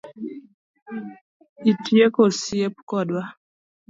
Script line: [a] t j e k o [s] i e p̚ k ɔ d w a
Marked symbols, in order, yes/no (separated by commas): no, yes